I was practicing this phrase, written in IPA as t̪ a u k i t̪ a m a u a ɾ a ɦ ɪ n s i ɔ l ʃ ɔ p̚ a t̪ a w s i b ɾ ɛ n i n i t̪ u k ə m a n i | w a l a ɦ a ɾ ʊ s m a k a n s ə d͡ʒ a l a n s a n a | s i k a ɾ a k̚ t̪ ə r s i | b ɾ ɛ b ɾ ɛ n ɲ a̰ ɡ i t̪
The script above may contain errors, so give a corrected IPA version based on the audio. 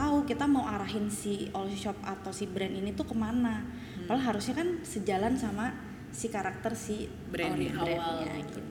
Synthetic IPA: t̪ a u k i t̪ a m a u a ɾ a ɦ ɪ n s i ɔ l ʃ ɔ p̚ a t̪ a w s i b ɾ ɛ n i n i t̪ u k ə m a n a | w a l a ɦ a ɾ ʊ s ɲ a k a n s ə d͡ʒ a l a n s a m a | s i k a ɾ a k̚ t̪ ə r s i | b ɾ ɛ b ɾ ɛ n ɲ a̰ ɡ i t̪